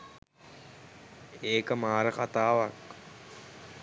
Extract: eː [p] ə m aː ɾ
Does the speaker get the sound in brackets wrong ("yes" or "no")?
yes